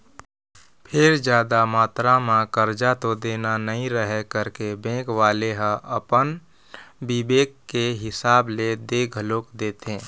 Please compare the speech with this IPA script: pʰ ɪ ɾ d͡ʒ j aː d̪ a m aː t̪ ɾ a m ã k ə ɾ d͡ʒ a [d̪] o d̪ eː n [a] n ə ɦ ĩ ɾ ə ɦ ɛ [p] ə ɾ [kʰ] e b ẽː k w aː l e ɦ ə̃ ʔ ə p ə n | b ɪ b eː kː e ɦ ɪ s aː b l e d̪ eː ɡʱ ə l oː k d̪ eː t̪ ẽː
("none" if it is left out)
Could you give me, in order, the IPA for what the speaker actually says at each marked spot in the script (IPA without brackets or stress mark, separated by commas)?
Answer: t̪, a, k, k